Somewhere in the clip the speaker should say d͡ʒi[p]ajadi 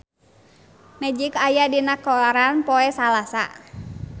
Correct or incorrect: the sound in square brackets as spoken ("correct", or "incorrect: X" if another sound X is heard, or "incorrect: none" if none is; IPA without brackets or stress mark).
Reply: incorrect: k